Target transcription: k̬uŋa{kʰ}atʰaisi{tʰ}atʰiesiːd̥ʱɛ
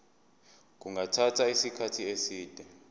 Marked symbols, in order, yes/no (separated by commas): no, no